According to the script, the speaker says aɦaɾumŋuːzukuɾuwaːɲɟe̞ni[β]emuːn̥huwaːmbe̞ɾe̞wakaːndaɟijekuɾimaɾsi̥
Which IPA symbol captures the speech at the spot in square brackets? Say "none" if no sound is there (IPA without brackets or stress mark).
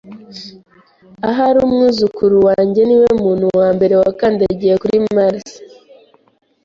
w